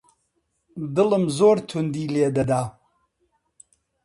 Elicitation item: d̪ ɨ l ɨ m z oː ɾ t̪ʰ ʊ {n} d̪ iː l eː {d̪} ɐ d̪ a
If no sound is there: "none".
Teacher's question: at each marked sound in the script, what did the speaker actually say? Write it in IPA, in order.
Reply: n, d̪

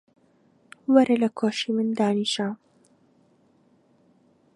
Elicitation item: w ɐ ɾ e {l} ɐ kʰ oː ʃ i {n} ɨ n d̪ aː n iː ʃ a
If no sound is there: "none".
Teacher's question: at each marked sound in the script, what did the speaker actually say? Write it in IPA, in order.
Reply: l, m

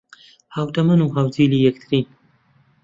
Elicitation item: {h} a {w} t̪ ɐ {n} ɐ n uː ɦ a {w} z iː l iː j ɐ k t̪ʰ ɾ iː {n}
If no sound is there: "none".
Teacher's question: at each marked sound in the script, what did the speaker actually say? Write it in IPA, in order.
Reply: h, w, m, w, n

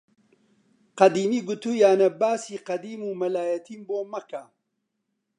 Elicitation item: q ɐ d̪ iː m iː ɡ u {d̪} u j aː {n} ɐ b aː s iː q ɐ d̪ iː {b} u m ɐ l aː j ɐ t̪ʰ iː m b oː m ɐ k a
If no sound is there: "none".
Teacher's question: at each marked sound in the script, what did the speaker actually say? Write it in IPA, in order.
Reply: t̪, n, m

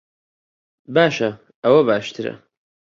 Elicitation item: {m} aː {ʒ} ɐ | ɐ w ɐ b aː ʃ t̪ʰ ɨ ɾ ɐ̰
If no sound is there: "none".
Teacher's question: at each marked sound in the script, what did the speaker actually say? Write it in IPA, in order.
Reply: b, ʃ

